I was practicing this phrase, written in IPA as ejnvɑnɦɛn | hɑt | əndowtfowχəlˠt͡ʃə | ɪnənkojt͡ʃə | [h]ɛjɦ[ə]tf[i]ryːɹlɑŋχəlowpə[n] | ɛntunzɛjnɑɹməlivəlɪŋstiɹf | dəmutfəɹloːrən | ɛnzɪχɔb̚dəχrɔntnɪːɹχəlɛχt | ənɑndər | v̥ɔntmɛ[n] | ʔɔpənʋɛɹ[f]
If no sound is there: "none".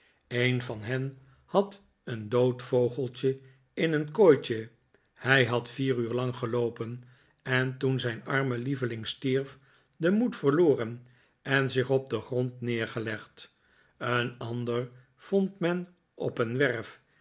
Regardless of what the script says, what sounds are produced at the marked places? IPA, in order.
h, ɑ, iː, n, n, f

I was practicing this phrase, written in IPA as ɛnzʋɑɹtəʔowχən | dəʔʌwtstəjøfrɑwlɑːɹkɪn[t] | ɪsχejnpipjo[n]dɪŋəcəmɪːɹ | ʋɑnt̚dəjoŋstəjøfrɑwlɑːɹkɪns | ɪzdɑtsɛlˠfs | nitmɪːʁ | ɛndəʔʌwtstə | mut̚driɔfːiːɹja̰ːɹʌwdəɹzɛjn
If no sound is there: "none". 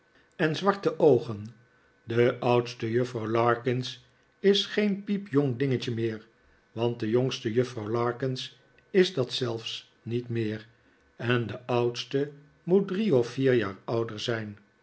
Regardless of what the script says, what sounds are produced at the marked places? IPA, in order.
s, ŋ

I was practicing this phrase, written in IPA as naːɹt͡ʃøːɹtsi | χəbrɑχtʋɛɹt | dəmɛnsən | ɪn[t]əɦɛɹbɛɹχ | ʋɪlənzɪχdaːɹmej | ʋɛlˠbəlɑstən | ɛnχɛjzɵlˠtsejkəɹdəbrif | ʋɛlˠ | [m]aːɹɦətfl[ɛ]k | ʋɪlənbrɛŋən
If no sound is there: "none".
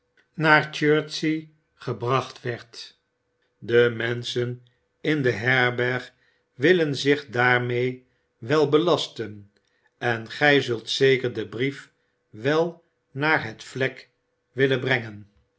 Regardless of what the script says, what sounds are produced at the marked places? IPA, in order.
d, n, ɛ

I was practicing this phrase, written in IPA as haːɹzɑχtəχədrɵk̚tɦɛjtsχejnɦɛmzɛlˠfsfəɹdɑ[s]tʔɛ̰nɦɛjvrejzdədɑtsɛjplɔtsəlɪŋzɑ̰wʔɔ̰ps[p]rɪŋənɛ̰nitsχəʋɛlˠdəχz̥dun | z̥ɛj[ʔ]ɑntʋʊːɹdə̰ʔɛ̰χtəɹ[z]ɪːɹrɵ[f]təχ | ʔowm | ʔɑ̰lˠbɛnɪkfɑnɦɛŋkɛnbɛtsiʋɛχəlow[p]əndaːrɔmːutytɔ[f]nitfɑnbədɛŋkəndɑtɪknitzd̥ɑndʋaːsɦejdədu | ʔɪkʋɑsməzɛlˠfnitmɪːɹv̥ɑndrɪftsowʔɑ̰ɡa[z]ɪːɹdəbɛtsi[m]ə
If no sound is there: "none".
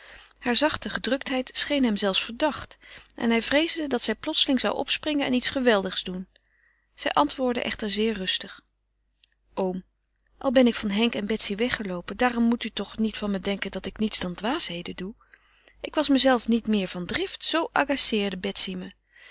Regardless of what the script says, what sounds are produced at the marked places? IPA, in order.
χ, p, ʔ, z, s, p, χ, s, m

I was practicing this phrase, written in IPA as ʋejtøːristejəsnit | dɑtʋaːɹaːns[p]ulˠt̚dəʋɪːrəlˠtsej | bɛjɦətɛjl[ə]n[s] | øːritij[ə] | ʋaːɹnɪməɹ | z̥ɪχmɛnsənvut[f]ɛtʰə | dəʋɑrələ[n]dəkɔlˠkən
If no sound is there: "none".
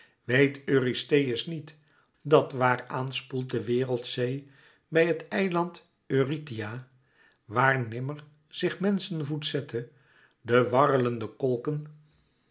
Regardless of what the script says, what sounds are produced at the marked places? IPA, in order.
p, ɑ, t, a, s, n

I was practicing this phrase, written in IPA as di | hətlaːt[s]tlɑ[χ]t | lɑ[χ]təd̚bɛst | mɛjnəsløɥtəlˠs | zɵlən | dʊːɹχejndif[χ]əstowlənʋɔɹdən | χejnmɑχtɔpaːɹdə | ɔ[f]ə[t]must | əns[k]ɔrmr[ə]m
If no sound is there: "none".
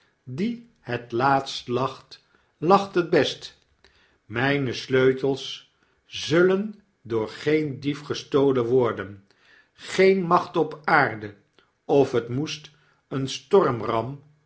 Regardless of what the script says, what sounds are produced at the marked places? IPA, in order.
s, χ, χ, χ, f, t, t, ɑ

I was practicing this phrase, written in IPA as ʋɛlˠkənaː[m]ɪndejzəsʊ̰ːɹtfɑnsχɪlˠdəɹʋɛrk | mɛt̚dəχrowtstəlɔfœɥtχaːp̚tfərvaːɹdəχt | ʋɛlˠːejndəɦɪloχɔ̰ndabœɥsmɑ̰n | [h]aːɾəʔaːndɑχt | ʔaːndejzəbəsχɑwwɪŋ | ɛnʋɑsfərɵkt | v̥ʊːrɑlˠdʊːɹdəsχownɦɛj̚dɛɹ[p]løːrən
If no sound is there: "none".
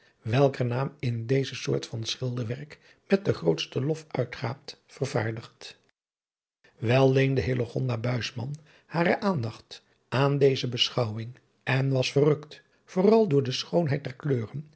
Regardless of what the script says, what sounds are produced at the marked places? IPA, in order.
m, h, k

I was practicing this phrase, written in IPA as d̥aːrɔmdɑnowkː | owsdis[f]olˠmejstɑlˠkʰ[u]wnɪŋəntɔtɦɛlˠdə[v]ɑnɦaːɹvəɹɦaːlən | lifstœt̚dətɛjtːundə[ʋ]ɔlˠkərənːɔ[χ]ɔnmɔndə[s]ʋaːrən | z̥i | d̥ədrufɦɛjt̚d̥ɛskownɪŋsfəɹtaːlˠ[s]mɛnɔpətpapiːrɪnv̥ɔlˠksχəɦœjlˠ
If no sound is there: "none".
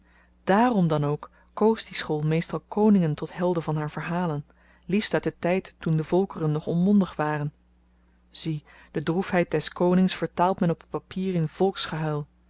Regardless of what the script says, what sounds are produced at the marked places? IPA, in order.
χ, o, v, v, χ, χ, t

